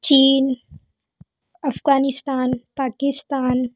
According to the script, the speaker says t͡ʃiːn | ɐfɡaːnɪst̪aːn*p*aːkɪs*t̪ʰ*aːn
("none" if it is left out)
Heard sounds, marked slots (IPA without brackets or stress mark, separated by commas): p, t̪